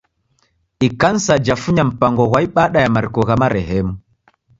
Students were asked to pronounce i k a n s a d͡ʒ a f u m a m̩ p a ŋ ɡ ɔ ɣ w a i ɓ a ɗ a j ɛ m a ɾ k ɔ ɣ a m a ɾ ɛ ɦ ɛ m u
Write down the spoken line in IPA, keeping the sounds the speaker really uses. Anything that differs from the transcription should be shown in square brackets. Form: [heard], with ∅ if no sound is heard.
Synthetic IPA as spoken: i k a n s a d͡ʒ a f u [ɲ] a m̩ p a ŋ ɡ ɔ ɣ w a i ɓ a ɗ a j [a] m a ɾ k ɔ ɣ a m a ɾ ɛ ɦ ɛ m u